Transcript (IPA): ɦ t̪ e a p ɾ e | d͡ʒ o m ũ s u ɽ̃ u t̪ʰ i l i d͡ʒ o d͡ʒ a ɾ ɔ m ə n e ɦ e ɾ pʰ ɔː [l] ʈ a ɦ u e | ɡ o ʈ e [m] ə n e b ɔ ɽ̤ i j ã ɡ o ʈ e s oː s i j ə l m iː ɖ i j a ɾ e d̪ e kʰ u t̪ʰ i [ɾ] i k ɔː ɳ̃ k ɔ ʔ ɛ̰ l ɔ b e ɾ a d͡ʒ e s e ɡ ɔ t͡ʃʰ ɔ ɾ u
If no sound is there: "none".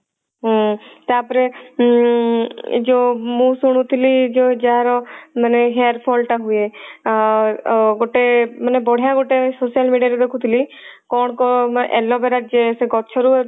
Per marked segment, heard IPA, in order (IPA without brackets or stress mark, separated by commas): l, m, l